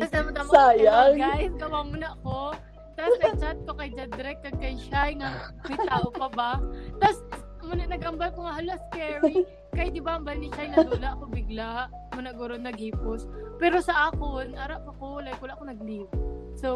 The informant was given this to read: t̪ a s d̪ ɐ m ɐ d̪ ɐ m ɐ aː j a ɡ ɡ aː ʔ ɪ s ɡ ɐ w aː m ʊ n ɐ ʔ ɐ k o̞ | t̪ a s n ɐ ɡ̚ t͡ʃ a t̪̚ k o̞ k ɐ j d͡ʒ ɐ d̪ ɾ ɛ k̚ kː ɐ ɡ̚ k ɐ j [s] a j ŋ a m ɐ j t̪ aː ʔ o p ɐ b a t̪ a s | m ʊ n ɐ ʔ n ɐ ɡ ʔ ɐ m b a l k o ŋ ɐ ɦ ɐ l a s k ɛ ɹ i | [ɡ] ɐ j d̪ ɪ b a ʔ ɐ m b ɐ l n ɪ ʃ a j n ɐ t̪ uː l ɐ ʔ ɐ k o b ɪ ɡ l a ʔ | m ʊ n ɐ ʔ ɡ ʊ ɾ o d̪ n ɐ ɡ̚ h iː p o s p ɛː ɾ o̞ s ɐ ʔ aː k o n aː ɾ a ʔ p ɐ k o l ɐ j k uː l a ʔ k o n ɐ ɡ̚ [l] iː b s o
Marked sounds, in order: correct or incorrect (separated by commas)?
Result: incorrect, incorrect, correct